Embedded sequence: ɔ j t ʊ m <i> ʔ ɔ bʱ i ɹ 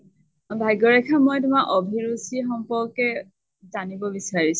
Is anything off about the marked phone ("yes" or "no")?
yes